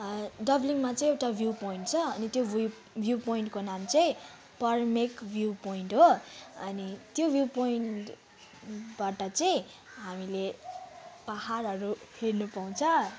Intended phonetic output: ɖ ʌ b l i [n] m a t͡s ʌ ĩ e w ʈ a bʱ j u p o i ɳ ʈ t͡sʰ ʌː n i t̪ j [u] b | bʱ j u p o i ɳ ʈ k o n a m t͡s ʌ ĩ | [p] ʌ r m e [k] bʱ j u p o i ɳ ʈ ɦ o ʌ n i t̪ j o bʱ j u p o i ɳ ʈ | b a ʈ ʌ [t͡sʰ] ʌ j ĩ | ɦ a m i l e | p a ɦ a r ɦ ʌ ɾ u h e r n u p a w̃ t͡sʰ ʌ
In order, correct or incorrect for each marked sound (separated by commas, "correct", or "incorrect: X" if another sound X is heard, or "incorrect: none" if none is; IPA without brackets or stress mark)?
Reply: incorrect: ŋ, incorrect: o, correct, correct, incorrect: t͡s